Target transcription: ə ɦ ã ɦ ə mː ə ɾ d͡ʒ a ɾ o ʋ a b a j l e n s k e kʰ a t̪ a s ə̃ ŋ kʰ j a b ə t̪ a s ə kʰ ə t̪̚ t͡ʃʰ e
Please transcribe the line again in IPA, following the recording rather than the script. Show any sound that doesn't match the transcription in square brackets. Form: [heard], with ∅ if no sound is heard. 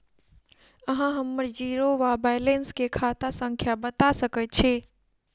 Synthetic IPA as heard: ə ɦ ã ɦ ə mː ə ɾ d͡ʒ [i] ɾ o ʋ a b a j l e n s k e kʰ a t̪ a s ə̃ ŋ kʰ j a b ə t̪ a s ə [k] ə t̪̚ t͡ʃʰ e